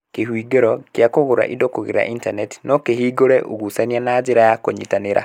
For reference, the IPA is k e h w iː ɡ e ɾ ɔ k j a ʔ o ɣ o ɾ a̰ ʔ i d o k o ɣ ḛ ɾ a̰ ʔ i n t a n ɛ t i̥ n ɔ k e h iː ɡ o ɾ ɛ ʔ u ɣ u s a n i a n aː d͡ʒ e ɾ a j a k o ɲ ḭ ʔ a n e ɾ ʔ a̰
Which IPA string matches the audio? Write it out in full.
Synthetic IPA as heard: k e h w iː ɡ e ɾ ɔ k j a k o ɣ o ɾ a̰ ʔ i d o k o ɣ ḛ ɾ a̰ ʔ i n t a n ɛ t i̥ n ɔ k e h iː ɡ o ɾ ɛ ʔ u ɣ u s a n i a n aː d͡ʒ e ɾ a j a k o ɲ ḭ t a n e ɾ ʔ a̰